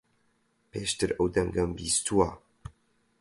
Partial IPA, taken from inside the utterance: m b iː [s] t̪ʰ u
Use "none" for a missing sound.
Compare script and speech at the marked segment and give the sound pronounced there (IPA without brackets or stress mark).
s